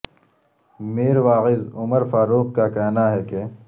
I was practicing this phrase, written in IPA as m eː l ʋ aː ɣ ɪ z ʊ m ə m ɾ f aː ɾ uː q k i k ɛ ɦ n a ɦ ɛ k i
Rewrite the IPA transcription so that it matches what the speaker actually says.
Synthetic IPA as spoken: m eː ɾ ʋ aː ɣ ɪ z ʊ m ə ɾ f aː ɾ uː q k a k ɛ ɦ n a ɦ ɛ k e